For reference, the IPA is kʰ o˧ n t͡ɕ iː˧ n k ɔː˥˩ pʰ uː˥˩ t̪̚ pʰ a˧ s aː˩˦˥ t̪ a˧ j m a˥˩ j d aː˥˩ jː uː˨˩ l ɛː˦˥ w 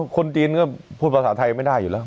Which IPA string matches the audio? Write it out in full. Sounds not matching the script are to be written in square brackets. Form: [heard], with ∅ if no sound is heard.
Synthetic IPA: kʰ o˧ n t͡ɕ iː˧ n k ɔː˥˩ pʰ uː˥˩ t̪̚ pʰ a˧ s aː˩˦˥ [t̪ʰ] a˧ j m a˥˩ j d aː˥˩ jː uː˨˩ l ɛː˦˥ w